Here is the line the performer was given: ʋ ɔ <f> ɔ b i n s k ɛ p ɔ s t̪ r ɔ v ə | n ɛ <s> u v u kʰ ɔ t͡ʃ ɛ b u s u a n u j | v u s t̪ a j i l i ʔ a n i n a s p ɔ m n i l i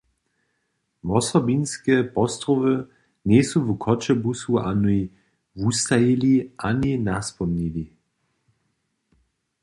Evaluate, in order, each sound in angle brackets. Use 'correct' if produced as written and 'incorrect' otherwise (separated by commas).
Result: incorrect, correct